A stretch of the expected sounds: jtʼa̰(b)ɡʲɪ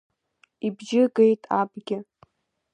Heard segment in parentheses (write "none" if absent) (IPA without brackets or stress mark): b